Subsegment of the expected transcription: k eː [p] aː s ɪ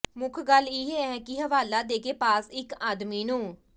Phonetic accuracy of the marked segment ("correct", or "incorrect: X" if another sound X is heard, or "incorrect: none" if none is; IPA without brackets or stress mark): correct